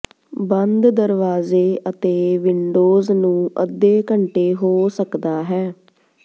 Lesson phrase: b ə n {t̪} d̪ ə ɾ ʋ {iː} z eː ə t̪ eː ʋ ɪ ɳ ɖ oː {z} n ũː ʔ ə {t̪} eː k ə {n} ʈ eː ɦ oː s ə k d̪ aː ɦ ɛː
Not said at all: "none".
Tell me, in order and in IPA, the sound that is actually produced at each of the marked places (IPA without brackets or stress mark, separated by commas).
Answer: d̪, aː, z, d̪, ɳ